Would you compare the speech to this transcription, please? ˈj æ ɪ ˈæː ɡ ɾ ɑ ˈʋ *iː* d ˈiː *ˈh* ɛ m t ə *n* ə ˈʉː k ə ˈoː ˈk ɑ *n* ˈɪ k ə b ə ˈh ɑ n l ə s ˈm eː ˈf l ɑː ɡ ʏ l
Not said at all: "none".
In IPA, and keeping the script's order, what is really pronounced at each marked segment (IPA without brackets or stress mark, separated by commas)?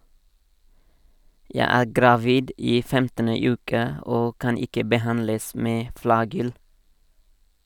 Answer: iː, f, n, n